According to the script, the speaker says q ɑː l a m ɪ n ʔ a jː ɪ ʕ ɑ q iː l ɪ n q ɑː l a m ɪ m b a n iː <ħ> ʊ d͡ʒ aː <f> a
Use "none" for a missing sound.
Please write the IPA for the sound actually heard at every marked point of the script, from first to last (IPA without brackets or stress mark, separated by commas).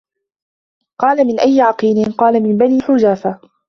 ħ, f